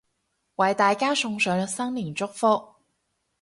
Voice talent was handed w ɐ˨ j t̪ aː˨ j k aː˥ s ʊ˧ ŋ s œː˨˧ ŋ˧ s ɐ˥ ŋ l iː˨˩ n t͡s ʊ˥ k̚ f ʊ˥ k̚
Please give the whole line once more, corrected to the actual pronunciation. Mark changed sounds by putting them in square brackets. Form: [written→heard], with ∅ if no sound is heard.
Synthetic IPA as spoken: w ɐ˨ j t̪ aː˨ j k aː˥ s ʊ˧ ŋ s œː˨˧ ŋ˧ s ɐ˥ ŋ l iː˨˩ n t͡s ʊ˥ k̚ f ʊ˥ k̚